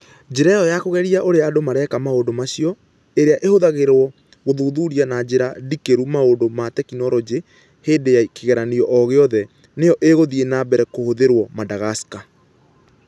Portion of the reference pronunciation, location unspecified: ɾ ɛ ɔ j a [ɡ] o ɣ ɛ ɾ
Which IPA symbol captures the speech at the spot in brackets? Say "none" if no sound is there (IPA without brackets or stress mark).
k